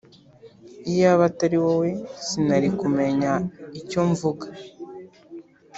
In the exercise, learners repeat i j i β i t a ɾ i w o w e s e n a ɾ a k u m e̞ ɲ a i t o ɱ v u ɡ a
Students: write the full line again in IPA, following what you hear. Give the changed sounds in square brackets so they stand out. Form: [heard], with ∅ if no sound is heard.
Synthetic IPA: i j [a] β [a] t a ɾ i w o w e s [i] n a ɾ [i] k u m e̞ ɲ a i [c] o ɱ v u ɡ a